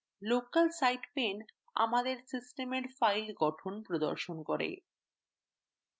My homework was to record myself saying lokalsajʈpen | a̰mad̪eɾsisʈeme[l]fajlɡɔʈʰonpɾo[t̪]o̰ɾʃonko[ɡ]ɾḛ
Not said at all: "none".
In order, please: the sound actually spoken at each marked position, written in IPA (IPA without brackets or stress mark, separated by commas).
ɾ, d̪, none